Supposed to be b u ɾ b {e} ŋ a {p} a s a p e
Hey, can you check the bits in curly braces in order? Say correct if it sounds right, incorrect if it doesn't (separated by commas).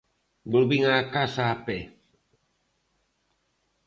incorrect, incorrect